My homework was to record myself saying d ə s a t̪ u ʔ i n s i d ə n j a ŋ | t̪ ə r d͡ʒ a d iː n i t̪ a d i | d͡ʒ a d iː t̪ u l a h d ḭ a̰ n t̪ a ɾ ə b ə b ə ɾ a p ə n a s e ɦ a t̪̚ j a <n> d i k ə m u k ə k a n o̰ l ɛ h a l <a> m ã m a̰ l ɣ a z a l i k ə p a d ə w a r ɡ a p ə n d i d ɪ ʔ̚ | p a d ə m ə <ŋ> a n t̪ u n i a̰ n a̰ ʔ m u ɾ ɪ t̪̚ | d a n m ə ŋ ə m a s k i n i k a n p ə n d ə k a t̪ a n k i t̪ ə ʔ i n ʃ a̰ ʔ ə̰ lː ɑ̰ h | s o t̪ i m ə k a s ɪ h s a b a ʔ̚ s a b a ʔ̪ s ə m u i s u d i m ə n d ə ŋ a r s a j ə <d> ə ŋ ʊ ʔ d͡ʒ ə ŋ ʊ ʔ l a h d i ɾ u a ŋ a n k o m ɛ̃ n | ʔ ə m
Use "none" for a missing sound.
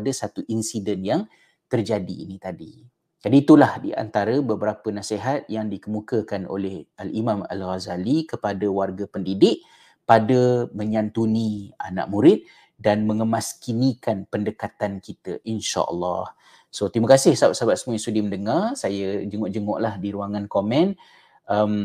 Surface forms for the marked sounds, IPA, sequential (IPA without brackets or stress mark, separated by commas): ŋ, i, ɲ, d͡ʒ